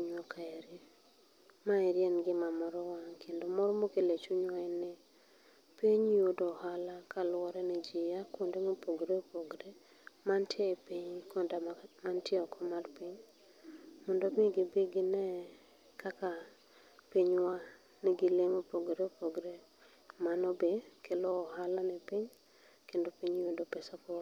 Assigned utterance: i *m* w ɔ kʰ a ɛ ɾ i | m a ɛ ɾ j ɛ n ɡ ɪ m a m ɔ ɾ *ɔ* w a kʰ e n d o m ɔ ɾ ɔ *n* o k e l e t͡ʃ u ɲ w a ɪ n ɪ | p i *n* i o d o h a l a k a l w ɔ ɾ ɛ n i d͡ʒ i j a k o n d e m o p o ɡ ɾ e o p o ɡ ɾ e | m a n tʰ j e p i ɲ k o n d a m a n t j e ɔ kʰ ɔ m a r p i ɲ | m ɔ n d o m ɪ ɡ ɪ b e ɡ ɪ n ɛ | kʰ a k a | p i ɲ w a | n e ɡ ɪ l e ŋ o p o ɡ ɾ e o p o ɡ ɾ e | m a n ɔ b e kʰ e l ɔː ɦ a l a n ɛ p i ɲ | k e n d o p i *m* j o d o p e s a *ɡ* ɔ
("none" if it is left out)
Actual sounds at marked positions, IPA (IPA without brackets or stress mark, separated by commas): ɲ, ɔ, m, ɲ, ɲ, k